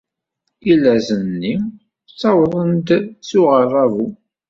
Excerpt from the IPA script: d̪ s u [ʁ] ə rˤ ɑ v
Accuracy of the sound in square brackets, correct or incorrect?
correct